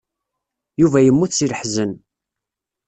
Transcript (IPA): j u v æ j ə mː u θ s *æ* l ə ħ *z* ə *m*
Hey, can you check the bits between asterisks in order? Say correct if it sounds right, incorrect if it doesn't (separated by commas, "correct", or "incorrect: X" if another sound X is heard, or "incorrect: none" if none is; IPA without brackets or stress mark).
incorrect: i, correct, incorrect: n